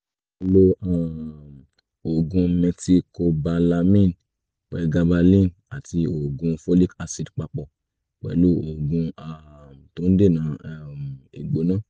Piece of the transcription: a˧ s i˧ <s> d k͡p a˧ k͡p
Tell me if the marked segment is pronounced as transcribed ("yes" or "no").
no